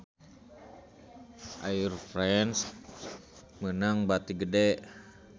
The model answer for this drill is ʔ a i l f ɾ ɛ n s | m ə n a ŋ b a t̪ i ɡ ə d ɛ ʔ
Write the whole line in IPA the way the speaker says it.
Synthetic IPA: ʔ a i r f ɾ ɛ n s | m ə n a ŋ b a t̪ i ɡ ə d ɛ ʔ